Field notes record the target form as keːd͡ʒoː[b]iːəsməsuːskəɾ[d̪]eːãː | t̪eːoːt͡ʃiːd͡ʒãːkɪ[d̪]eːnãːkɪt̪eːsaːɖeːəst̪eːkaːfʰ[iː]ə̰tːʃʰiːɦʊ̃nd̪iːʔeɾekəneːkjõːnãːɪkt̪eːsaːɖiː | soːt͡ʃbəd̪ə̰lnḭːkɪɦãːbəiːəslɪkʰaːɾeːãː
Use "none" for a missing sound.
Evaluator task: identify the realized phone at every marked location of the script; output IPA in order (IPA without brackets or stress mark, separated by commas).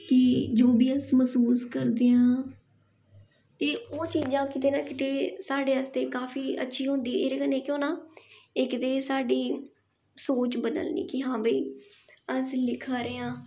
b, d̪, t̪, iː